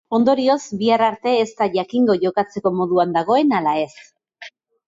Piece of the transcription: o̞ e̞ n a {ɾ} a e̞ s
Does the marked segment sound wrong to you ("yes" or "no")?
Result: yes